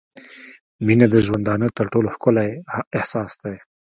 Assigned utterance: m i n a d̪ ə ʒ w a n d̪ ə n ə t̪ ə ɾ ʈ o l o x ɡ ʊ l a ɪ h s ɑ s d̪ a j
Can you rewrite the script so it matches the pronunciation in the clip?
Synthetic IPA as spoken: m i n a d̪ ə ʒ w a n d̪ ɑ n ə t̪ ə ɾ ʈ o l o x k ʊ l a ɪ h s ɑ s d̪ a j

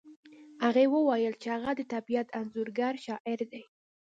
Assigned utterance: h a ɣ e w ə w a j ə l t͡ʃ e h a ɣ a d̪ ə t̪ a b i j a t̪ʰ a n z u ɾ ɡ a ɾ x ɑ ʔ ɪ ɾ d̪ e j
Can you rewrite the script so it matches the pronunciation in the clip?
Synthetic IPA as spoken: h a ɣ e w ə w a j ə l t͡ʃ e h a ɣ a d̪ ə t̪ a b i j a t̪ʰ a n z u ɾ ɡ a ɾ ʃ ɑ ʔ ɪ ɾ d̪ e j

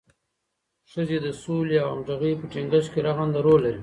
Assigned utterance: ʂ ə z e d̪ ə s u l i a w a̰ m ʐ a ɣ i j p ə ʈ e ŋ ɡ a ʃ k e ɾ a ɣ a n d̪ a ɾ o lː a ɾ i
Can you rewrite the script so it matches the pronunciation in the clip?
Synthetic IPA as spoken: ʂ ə z e d̪ ə s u l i a w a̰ m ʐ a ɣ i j p ə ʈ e ŋ ɡ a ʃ k e ɾ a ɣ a n d̪ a ɾ o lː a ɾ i

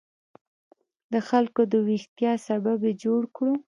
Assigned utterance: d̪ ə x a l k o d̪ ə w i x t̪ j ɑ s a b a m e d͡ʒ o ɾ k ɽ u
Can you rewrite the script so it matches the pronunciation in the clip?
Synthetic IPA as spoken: d̪ ə x a l k o d̪ ə w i x t̪ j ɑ s a b a b e d͡ʒ o ɽ k ɽ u

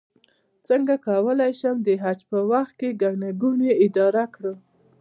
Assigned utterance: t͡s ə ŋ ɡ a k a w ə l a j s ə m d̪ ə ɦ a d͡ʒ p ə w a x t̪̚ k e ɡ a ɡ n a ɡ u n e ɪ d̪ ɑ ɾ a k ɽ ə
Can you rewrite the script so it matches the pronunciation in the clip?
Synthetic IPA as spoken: t͡s ə ŋ ɡ a k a w ə l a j ʃ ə m d̪ ə ɦ a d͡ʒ p ə w a x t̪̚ k e ɡ a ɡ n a ɡ u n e ɪ d̪ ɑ ɾ a k ɽ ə

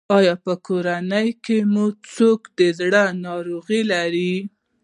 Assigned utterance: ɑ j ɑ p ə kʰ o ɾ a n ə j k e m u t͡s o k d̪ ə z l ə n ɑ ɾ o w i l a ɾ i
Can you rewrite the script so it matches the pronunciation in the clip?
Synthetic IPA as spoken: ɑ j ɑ p ə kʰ o ɾ a n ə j k e m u t͡s o k d̪ ə z ɽ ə n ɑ ɾ o ɣ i l a ɾ i

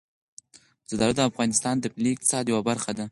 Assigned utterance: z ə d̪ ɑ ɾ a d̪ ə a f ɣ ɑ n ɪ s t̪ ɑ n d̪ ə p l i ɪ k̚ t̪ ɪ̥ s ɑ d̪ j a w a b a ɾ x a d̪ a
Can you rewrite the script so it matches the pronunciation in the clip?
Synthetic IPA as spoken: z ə d̪ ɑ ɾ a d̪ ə a f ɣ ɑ n ɪ s t̪ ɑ n d̪ ə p l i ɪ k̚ t̪ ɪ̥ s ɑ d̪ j a w a b a ɾ x a d̪ a

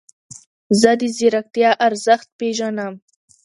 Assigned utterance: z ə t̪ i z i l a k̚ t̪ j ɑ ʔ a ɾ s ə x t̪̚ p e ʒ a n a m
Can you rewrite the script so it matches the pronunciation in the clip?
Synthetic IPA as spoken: z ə d̪ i z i ɾ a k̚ t̪ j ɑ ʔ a ɾ z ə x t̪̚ p e ʒ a n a m

